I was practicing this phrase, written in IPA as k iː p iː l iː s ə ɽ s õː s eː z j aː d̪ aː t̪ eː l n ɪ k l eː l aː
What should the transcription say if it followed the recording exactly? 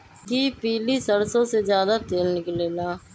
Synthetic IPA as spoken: k iː p iː l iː s ə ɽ s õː s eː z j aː d̪ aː t̪ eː l n ɪ k l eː l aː